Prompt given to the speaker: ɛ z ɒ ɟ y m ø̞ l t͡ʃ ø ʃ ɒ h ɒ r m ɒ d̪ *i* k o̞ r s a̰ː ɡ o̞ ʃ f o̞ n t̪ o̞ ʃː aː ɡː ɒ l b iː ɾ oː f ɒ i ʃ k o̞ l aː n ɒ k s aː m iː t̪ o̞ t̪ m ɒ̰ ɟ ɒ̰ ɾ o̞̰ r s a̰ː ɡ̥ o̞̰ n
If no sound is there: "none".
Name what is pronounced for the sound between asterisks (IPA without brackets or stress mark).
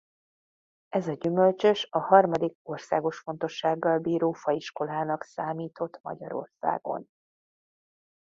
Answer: i